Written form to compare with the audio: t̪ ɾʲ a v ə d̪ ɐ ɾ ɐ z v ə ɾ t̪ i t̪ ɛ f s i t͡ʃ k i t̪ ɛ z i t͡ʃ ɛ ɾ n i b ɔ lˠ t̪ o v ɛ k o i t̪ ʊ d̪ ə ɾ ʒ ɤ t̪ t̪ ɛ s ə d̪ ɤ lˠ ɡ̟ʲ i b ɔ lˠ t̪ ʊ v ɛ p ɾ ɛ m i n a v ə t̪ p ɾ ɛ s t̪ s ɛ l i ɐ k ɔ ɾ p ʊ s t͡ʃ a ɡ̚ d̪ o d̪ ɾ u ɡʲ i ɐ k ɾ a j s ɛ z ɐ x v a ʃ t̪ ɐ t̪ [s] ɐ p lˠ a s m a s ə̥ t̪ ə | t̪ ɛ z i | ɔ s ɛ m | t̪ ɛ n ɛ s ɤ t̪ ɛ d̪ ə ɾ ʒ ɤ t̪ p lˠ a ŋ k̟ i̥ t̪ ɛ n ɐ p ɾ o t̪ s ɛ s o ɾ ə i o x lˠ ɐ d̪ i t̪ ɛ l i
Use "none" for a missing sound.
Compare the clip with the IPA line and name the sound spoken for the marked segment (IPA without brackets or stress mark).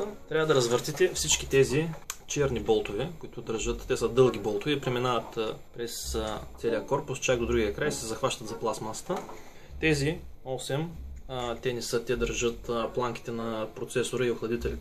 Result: z